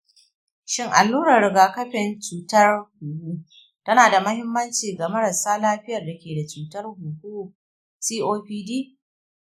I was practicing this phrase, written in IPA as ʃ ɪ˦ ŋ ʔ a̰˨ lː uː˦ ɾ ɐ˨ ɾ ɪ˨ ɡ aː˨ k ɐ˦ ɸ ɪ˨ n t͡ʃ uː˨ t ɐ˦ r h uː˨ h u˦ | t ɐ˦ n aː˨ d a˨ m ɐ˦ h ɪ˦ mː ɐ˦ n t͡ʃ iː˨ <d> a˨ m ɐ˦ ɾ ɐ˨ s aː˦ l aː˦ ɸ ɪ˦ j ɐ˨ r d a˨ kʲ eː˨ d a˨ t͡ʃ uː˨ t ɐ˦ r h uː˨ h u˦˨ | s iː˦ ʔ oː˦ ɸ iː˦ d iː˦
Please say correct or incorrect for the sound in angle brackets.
incorrect